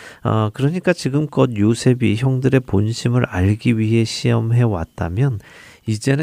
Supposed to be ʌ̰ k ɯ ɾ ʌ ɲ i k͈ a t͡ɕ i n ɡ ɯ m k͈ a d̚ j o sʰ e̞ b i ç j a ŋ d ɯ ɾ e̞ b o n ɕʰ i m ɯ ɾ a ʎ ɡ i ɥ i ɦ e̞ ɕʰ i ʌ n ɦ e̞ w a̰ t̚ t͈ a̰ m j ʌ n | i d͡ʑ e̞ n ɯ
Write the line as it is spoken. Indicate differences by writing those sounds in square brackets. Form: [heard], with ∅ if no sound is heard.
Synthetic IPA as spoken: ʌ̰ k ɯ ɾ ʌ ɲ i k͈ a t͡ɕ i [∅] ɡ ɯ m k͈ [ʌ] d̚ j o sʰ e̞ b i ç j [ʌ] ŋ d ɯ ɾ e̞ [p] o n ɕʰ i m ɯ ɾ a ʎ ɡ i ɥ i ɦ e̞ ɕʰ i ʌ [m] ɦ e̞ w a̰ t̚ t͈ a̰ m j ʌ n | i d͡ʑ e̞ n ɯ